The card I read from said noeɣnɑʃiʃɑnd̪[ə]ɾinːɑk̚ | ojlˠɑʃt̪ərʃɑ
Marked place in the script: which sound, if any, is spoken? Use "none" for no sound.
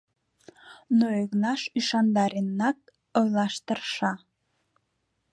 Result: ɑ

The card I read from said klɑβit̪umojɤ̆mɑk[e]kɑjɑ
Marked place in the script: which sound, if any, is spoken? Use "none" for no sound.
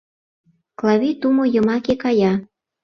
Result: e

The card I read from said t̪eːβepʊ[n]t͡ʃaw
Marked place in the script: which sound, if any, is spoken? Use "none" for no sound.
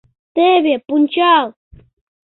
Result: n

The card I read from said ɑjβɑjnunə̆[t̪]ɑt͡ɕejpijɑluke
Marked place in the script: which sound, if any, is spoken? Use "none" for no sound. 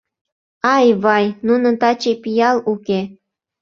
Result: t̪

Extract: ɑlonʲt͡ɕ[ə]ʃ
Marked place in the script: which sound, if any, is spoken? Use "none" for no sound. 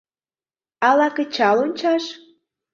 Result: ɑ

